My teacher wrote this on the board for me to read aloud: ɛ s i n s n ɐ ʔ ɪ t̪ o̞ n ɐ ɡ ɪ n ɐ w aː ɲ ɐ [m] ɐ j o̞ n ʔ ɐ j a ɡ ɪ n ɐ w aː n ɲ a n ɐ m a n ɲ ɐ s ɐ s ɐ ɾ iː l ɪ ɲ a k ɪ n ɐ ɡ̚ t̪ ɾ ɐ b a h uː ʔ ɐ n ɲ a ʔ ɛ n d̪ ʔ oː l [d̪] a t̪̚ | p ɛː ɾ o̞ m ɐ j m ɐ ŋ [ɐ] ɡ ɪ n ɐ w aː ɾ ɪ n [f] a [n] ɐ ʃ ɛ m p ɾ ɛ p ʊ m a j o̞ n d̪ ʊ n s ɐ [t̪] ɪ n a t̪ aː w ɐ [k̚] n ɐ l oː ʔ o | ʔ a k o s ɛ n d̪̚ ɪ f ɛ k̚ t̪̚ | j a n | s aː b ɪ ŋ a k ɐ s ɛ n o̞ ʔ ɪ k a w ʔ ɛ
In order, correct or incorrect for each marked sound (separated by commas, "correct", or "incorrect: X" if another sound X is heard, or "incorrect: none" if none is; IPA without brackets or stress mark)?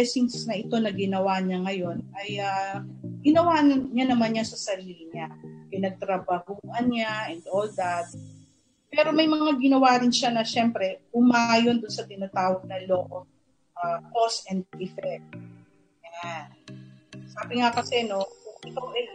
incorrect: ŋ, correct, incorrect: a, incorrect: ʃ, correct, correct, incorrect: ɡ̚